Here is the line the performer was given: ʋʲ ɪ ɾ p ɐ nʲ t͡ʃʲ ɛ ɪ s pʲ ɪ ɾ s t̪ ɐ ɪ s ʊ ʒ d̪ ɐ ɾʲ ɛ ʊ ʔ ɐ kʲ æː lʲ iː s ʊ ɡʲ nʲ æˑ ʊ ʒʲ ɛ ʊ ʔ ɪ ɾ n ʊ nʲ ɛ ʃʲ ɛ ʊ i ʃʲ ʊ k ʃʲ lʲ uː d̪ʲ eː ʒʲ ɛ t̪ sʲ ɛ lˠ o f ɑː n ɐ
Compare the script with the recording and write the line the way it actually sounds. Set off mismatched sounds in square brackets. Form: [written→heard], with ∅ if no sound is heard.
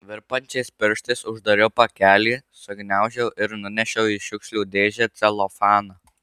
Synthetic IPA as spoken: ʋʲ ɪ ɾ p ɐ nʲ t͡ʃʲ ɛ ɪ s pʲ ɪ ɾ [s→ʃ] t̪ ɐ ɪ s ʊ ʒ d̪ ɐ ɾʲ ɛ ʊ [ʔ→p] ɐ kʲ æː lʲ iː s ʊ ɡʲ nʲ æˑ ʊ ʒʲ ɛ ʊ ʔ ɪ ɾ n ʊ nʲ ɛ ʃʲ ɛ ʊ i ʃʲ ʊ k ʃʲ lʲ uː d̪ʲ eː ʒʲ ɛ t̪ sʲ ɛ lˠ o f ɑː n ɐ

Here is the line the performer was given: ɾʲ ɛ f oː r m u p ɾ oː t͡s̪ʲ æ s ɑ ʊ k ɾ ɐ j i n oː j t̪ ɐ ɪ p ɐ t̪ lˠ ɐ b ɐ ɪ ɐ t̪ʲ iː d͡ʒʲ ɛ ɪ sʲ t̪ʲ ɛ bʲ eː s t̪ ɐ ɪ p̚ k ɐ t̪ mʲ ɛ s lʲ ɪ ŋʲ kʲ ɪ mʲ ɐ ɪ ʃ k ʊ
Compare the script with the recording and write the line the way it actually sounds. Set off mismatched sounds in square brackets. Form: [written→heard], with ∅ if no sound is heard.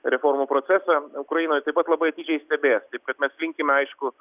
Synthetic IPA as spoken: ɾʲ ɛ f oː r m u p ɾ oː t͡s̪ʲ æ s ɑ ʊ k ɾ ɐ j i n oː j t̪ ɐ ɪ p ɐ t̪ lˠ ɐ b ɐ ɪ ɐ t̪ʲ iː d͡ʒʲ ɛ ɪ sʲ t̪ʲ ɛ bʲ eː s t̪ ɐ ɪ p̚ k ɐ t̪ mʲ ɛ s lʲ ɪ ŋʲ kʲ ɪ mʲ ɐ ɪ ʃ k ʊ

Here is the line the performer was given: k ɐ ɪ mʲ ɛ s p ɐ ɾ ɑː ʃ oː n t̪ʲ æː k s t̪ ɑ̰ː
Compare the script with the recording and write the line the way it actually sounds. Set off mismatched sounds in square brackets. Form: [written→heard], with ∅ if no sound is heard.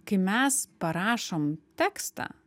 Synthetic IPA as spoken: k ɐ ɪ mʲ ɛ s p ɐ ɾ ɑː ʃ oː [n→m] t̪ʲ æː k s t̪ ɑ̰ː

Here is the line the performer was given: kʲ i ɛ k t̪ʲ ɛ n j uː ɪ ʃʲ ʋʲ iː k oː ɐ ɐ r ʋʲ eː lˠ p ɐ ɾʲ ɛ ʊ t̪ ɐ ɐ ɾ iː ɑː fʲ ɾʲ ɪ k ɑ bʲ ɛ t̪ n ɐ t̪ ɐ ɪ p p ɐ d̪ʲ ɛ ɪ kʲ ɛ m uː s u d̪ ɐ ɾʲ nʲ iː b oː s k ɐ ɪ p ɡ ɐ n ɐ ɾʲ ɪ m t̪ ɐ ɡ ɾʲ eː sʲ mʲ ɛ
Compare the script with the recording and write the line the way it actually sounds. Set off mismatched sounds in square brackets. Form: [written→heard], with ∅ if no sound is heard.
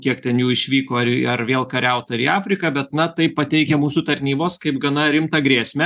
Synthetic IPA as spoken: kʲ i ɛ k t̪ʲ ɛ n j uː ɪ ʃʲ ʋʲ iː k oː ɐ ɐ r ʋʲ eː lˠ [p→k] ɐ ɾʲ ɛ ʊ t̪ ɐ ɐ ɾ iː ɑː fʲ ɾʲ ɪ k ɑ bʲ ɛ t̪ n ɐ t̪ ɐ ɪ p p ɐ [d̪ʲ→t̪ʲ] ɛ ɪ kʲ ɛ m uː s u [d̪→t̪] ɐ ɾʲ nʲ iː b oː s k ɐ ɪ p ɡ ɐ n ɐ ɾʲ ɪ m t̪ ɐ ɡ ɾʲ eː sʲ mʲ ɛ

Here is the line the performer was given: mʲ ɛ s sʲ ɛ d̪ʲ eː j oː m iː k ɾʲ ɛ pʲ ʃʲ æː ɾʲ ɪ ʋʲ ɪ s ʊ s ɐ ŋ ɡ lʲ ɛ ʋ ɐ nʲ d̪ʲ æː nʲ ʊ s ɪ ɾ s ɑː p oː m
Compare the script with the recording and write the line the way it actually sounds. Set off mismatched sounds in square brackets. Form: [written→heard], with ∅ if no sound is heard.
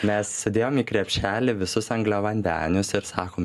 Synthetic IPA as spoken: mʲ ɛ s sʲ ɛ d̪ʲ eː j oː m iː k ɾʲ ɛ pʲ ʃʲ æː [ɾʲ→lʲ] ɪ ʋʲ ɪ s ʊ s ɐ ŋ ɡ lʲ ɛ ʋ ɐ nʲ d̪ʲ æː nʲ ʊ s ɪ ɾ s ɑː [p→k] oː m

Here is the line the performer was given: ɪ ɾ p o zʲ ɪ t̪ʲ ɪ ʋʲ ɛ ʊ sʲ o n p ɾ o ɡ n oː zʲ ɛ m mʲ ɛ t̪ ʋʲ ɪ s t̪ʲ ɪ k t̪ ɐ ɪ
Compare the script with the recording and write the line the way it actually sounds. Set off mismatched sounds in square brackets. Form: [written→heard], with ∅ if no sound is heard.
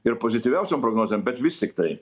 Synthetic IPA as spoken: ɪ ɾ p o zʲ ɪ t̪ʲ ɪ ʋʲ ɛ ʊ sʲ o [n→m] p ɾ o ɡ n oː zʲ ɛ m [mʲ→bʲ] ɛ t̪ ʋʲ ɪ s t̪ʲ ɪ k t̪ ɐ ɪ

